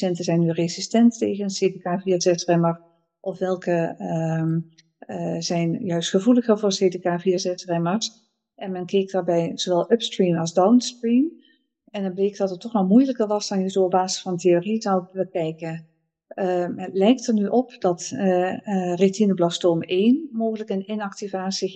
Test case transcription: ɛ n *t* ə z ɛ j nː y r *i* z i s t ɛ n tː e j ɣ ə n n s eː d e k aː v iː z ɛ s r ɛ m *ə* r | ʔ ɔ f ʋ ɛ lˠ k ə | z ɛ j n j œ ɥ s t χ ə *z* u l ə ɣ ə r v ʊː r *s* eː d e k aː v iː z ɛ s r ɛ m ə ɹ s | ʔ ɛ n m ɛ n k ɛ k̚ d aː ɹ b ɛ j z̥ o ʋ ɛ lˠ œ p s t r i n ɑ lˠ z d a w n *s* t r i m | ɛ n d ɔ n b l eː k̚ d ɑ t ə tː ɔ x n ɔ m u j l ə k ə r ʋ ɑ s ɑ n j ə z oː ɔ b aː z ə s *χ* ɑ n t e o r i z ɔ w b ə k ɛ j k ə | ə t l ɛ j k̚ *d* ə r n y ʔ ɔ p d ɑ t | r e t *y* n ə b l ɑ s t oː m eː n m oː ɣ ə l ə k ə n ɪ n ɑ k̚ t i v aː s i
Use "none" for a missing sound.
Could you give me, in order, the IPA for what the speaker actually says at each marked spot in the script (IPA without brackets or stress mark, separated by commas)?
t, e, ə, v, s, s, f, t, i